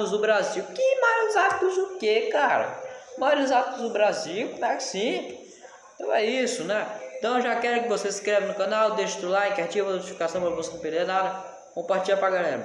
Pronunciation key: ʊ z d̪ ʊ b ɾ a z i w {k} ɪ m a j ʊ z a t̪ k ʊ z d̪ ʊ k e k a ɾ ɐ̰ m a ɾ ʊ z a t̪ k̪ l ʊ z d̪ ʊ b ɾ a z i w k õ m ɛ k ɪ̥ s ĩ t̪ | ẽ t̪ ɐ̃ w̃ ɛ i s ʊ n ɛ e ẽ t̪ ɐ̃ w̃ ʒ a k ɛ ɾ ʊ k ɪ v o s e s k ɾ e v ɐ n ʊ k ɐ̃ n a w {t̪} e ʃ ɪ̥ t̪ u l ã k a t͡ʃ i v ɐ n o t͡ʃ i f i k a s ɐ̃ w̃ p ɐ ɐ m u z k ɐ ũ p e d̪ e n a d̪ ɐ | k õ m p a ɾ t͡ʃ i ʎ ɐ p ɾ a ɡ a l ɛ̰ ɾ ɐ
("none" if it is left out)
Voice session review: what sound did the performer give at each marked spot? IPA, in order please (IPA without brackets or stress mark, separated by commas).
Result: k, d̪